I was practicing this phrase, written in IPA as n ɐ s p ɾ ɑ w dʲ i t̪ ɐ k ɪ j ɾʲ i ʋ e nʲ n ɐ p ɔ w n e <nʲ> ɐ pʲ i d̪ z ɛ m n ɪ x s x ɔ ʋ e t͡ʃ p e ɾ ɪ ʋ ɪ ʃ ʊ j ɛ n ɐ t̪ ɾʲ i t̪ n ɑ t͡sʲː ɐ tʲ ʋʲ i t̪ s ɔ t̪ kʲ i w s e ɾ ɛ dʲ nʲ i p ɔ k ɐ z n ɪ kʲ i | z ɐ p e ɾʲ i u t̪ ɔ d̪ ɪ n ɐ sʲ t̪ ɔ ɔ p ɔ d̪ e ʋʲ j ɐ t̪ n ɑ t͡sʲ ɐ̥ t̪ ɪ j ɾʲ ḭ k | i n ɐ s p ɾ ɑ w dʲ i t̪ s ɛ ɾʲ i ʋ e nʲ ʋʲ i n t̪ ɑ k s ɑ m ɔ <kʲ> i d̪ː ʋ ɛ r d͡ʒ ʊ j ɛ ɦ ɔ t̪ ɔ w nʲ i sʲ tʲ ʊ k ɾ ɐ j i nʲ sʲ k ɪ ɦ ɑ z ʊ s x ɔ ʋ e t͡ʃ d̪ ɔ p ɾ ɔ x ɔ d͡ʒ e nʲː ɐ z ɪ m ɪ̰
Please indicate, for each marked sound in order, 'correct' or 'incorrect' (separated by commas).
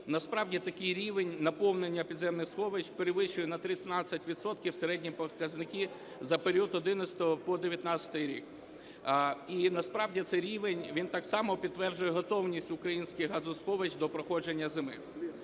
incorrect, incorrect